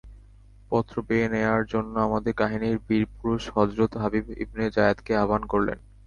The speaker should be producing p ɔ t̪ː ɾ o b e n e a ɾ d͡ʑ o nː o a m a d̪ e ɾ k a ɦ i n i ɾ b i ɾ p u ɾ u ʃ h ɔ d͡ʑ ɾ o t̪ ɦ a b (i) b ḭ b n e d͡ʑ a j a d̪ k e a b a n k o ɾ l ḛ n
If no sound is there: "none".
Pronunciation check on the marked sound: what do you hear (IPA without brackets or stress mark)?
i